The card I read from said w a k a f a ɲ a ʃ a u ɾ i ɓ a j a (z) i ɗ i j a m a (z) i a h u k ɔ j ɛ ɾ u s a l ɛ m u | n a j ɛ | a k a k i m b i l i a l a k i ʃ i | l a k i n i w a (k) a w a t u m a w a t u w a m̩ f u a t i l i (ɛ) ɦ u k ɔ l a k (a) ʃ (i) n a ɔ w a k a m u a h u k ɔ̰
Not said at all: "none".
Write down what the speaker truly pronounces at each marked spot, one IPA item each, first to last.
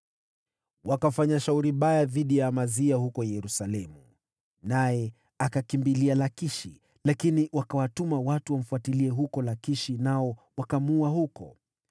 ð, z, k, ɛ, i, i

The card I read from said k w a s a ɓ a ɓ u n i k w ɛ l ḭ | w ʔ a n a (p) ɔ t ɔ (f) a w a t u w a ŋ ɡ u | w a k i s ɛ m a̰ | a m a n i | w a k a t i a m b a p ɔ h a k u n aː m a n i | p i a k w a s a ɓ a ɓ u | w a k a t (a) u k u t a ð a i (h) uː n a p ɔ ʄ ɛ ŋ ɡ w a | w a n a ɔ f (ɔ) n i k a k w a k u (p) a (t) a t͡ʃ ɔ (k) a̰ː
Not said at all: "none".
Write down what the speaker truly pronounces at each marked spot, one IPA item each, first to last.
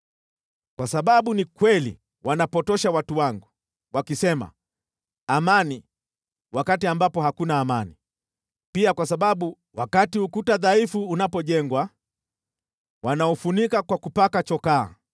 p, ʃ, i, f, u, p, k, k

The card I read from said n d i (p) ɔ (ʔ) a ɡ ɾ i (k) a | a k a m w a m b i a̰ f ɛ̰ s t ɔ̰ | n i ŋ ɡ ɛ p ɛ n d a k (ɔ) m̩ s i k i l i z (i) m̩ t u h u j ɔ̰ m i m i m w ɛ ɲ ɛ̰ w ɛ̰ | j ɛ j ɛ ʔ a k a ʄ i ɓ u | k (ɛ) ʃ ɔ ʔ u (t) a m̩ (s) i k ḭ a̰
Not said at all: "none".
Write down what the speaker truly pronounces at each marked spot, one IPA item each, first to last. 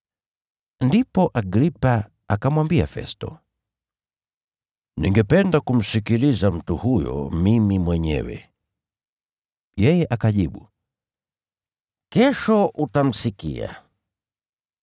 p, ʔ, p, u, a, ɛ, t, s

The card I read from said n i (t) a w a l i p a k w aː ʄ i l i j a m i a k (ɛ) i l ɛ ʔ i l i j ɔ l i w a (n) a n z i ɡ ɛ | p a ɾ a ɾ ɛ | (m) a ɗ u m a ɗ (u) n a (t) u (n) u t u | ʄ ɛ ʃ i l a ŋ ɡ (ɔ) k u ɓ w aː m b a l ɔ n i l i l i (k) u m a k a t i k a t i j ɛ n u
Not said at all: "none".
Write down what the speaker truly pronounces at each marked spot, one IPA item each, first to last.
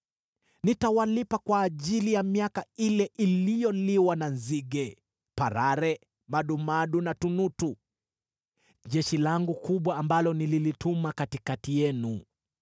t, a, n, m, u, t, n, u, t

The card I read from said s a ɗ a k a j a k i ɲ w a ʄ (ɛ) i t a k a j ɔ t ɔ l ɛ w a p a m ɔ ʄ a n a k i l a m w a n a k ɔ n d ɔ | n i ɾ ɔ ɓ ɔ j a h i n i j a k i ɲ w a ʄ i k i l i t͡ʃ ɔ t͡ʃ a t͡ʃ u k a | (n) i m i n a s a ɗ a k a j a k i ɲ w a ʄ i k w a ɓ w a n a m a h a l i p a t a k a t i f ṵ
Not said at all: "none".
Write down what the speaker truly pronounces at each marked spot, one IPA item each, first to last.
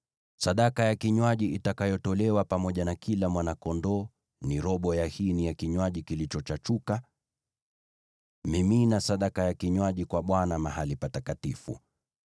i, m

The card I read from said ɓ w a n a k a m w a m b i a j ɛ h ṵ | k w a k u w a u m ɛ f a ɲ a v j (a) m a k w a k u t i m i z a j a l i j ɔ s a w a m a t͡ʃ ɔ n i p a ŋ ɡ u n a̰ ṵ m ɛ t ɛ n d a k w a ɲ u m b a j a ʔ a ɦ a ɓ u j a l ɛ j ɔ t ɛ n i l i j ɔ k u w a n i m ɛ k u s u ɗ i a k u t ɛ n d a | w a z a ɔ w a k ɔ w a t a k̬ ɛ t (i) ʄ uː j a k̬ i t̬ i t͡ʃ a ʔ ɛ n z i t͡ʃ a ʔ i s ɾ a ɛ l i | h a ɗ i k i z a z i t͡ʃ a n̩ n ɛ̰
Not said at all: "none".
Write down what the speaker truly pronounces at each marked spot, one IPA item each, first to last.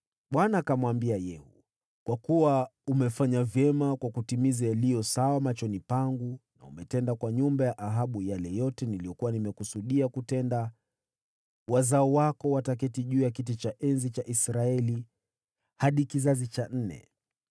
ɛ, i

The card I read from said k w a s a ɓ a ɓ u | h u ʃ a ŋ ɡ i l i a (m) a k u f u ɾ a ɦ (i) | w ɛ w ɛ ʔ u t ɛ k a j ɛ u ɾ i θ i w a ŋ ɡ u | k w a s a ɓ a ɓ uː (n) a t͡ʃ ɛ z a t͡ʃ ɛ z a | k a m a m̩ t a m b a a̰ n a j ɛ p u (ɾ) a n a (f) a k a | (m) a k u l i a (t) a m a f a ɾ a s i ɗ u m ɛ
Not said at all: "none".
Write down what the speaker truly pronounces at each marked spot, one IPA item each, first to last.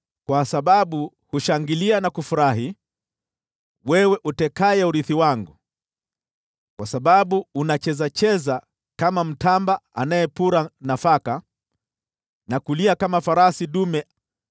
n, i, n, ɾ, f, n, k

